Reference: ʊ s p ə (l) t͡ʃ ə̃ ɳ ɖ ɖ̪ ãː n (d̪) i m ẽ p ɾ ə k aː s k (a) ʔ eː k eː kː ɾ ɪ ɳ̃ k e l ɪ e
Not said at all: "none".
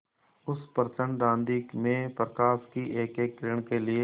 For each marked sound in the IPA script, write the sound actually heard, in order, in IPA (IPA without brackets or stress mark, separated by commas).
ɾ, d̪, i